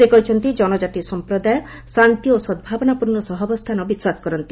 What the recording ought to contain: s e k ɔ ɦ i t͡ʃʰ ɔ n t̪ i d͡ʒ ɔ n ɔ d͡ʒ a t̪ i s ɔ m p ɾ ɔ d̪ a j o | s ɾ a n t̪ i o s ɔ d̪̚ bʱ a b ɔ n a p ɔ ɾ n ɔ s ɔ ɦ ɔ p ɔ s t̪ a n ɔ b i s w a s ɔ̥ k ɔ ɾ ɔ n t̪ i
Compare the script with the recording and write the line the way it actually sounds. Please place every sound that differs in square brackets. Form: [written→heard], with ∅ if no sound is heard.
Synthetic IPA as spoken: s e k ɔ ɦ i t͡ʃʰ ɔ n t̪ i d͡ʒ ɔ n ɔ d͡ʒ a t̪ i s ɔ m p ɾ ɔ d̪ a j [o→ɔ] | s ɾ a n t̪ i o s ɔ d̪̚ bʱ a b ɔ n a p [ɔ→u] ɾ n ɔ s ɔ ɦ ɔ [p→b] ɔ s [t̪→t̪ʰ] a n ɔ b i s w a s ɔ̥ k ɔ ɾ ɔ n t̪ i